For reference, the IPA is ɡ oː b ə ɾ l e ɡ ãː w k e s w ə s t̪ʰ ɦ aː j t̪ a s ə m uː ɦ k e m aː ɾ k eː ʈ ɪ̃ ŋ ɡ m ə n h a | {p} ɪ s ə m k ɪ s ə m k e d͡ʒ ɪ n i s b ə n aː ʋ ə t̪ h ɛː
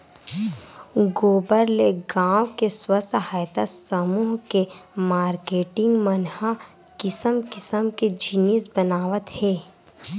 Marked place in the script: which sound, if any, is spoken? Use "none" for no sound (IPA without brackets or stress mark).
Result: k